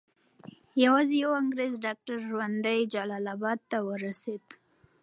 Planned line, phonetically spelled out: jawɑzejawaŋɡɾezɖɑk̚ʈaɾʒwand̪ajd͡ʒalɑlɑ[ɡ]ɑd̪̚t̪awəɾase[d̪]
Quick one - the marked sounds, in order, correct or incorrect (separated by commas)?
incorrect, correct